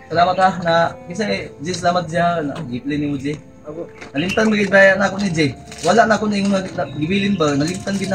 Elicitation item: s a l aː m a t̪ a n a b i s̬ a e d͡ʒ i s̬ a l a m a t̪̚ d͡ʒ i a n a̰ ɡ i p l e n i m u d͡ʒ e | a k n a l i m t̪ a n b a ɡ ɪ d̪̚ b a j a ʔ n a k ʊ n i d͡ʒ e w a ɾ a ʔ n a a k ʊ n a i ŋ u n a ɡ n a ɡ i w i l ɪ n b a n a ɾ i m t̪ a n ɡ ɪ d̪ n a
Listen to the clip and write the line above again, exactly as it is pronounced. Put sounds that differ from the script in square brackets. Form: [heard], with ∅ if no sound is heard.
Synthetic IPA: s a l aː m a t̪ a n a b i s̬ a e d͡ʒ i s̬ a l a m a t̪̚ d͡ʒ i a n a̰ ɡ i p l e n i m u d͡ʒ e | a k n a l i m t̪ a n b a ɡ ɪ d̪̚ b a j a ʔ n a k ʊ n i d͡ʒ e w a [l] a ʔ n a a k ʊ n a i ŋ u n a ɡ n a ɡ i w i l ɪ n b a n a [l] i m t̪ a n ɡ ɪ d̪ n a